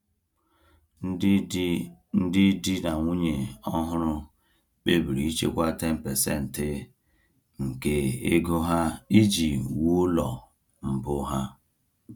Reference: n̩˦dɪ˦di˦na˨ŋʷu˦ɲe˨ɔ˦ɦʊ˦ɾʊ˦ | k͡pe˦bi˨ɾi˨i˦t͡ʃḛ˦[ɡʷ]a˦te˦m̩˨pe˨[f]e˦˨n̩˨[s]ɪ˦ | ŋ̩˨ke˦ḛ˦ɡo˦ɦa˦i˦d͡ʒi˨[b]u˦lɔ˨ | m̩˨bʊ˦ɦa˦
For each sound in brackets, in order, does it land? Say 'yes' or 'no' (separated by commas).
no, no, no, no